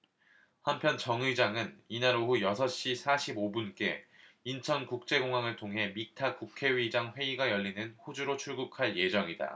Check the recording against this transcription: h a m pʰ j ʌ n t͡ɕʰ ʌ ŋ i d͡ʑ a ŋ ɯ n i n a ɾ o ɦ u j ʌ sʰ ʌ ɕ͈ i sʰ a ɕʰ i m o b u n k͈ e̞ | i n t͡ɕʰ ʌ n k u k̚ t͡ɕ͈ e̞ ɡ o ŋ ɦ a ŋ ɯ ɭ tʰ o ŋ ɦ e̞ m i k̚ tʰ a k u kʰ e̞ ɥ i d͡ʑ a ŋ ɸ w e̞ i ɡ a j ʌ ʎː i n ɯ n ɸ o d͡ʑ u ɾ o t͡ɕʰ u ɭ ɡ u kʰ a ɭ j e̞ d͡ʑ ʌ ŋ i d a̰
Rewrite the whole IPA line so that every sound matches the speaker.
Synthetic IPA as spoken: h a m pʰ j ʌ n t͡ɕ ʌ ŋ i d͡ʑ a ŋ ɯ n i n a ɾ o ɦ u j ʌ sʰ ʌ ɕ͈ i sʰ a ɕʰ i b o b u n k͈ e̞ | i n t͡ɕʰ ʌ n k u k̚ t͡ɕ͈ e̞ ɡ o ŋ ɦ a ŋ ɯ ɭ tʰ o ŋ ɦ e̞ m i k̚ tʰ a k u kʰ e̞ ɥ i d͡ʑ a ŋ ɸ w e̞ i ɡ a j ʌ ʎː i n ɯ n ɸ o d͡ʑ u ɾ o t͡ɕʰ u ɭ ɡ u kʰ a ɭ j e̞ d͡ʑ ʌ ŋ i d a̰